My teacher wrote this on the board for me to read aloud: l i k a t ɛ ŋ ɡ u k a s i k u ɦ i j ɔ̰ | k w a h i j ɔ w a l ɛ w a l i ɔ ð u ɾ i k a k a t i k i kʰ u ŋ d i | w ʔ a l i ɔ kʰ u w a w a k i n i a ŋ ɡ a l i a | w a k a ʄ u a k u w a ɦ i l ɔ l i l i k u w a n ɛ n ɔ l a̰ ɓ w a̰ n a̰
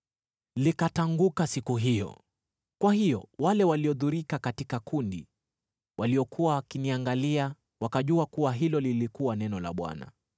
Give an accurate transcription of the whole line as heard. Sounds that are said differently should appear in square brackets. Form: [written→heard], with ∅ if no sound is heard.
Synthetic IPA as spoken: l i k a t [ɛ→a] ŋ ɡ u k a s i k u ɦ i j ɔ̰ | k w a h i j ɔ w a l ɛ w a l i ɔ ð u ɾ i k a k a t i k [i→a] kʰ u [ŋ→n] d i | w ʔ a l i ɔ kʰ u w a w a k i n i a ŋ ɡ a l i a | w a k a ʄ u a k u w a ɦ i l ɔ l i l i k u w a n ɛ n ɔ l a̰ ɓ w a̰ n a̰